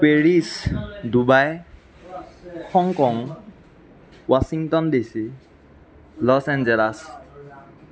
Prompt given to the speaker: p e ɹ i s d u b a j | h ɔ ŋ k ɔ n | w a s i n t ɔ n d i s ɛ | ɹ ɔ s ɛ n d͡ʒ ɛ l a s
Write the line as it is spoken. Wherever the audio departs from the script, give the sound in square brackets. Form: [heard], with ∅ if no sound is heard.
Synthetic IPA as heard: p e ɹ i s d u b a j | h ɔ ŋ k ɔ [ŋ] | w a s i [ŋ] t ɔ n d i s [i] | [l] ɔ s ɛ n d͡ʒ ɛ l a s